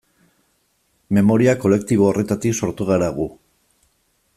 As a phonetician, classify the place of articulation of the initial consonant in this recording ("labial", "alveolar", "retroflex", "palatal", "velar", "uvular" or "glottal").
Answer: labial